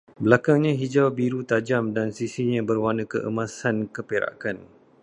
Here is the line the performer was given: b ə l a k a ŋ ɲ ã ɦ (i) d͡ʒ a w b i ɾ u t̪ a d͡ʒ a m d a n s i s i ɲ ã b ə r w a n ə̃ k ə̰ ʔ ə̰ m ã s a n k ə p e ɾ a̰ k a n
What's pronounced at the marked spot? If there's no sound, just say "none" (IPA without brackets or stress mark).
i